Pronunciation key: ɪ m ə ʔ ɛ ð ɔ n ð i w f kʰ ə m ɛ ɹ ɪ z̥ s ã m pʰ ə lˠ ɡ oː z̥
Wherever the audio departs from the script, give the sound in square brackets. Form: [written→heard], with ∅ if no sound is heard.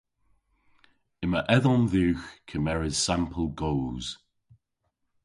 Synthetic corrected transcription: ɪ m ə ʔ ɛ ð ɔ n ð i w [f→x] kʰ ə m ɛ ɹ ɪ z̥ s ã m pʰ ə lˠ ɡ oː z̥